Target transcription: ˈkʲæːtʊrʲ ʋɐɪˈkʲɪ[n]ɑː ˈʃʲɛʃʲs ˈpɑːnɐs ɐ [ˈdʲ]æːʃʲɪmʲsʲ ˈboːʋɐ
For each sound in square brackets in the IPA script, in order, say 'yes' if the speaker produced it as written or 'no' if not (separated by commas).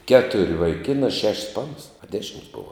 yes, yes